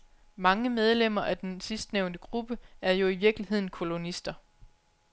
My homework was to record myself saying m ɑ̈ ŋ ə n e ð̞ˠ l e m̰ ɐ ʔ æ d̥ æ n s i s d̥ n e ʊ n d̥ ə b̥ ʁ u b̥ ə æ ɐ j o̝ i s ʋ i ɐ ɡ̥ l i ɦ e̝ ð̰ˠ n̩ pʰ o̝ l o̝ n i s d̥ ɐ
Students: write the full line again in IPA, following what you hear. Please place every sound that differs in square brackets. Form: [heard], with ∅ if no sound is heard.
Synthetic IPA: m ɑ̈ ŋ ə [m] e ð̞ˠ l e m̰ ɐ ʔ æ d̥ [e] n s i s d̥ n e ʊ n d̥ ə [ɡ̥] ʁ u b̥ ə æ ɐ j o̝ i [∅] ʋ i ɐ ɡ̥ l i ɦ e̝ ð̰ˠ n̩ [kʰ] o̝ l o̝ n i s d̥ ɐ